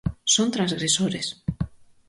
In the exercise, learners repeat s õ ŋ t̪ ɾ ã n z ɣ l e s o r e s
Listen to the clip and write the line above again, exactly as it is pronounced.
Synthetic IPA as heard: s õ n t̪ ɾ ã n z ɣ ɾ e s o ɾ e s